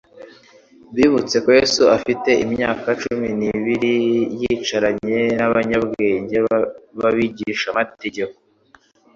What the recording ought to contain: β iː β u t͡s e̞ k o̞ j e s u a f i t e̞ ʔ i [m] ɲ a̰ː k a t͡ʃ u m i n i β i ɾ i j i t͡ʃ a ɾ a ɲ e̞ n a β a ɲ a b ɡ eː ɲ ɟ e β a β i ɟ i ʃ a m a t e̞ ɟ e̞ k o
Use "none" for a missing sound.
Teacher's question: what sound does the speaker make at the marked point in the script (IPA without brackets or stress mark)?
m